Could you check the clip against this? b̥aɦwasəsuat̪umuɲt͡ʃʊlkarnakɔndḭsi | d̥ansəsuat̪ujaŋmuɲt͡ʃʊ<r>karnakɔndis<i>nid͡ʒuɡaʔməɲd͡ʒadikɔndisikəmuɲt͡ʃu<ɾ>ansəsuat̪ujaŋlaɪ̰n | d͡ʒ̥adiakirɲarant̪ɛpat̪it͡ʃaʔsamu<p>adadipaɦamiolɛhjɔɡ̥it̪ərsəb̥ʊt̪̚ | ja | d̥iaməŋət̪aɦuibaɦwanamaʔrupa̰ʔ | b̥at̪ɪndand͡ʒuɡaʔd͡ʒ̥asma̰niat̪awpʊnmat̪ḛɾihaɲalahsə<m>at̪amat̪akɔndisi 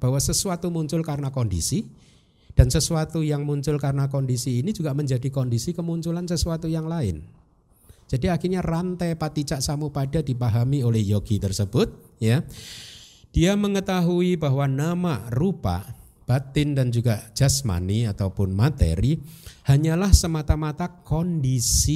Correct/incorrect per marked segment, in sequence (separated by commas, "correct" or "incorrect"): incorrect, incorrect, incorrect, correct, correct